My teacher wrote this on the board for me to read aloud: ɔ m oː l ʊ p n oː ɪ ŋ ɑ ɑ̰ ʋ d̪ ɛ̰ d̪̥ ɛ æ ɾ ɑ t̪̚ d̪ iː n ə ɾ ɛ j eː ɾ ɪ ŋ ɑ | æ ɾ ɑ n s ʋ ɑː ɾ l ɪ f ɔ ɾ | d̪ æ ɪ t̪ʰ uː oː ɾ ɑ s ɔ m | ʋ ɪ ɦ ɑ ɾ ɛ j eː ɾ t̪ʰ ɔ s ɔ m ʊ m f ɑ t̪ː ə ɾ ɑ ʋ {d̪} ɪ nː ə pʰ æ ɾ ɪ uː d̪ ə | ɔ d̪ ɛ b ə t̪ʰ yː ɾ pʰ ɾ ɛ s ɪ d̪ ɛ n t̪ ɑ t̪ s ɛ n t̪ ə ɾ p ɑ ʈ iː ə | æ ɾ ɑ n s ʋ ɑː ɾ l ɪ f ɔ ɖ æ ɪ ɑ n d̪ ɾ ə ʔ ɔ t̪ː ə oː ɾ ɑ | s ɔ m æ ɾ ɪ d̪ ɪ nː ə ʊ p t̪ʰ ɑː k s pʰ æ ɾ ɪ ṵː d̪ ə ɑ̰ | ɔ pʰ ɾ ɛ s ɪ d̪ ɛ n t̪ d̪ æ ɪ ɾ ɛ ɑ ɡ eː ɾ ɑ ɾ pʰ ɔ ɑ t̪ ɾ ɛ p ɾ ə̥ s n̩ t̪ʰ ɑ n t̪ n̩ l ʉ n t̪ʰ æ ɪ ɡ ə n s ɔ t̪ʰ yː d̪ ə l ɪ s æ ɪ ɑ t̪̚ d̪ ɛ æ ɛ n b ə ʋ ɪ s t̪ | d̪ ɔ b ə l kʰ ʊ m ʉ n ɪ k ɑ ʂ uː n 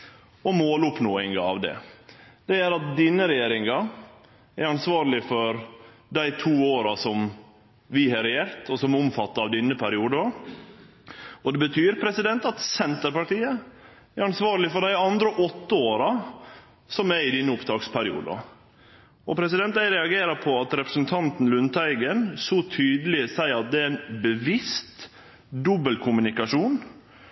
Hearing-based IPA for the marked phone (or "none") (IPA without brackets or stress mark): d̪